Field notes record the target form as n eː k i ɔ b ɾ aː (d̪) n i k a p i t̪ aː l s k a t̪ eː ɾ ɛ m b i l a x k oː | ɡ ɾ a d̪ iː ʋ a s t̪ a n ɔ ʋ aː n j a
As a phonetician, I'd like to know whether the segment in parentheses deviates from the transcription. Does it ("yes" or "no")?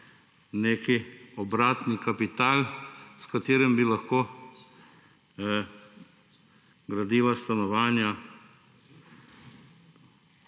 yes